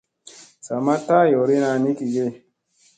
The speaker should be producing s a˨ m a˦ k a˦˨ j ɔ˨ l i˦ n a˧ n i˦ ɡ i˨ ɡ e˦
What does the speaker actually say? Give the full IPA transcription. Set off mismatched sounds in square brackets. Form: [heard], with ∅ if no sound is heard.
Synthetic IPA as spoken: s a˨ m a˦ [t] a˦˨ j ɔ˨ [ɾ] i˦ n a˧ n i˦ [k] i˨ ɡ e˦